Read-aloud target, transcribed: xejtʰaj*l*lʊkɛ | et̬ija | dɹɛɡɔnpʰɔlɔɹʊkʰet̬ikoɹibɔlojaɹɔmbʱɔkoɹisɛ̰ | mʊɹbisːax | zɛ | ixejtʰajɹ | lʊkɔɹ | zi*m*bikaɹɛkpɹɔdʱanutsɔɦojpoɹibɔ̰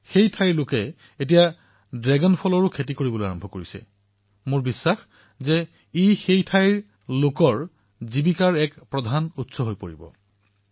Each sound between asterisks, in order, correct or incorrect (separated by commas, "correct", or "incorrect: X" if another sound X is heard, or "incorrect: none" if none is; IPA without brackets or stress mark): incorrect: ɹ, incorrect: none